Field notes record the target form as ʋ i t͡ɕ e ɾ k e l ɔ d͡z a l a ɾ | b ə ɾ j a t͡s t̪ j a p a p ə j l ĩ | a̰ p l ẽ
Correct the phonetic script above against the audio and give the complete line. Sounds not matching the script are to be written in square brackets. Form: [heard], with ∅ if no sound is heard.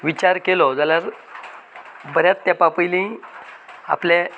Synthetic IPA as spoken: ʋ i t͡ɕ [a] ɾ k e l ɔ d͡z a l a ɾ | b ə ɾ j a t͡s t̪ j a p a p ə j l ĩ | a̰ p l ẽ